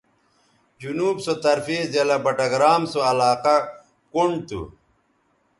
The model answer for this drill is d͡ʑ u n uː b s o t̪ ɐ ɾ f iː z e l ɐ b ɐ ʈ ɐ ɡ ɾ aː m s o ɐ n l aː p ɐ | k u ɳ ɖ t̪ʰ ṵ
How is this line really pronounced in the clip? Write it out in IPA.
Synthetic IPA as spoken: d͡ʑ u n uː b s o t̪ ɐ ɾ f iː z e l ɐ b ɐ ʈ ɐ ɡ ɾ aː m s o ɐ l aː q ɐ | k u ɳ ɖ t̪ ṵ